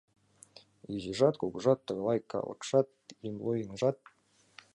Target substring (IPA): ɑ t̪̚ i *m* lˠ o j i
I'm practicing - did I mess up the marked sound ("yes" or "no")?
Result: no